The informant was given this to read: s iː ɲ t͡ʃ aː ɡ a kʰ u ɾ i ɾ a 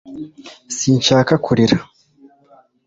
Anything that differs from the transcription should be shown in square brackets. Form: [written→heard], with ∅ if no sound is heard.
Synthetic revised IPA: s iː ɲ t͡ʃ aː [ɡ→k] a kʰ u ɾ i ɾ a